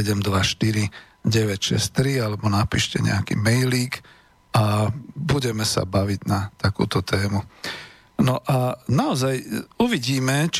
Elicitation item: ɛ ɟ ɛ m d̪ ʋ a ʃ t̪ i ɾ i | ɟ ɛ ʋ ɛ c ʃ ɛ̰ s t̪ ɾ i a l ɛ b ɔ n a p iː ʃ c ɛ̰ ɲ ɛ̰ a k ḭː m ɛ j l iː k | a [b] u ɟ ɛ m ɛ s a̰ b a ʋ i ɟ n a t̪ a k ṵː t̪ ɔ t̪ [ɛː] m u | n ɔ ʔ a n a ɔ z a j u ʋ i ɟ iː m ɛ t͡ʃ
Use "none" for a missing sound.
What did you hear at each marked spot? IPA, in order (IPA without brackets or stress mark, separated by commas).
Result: b, ɛː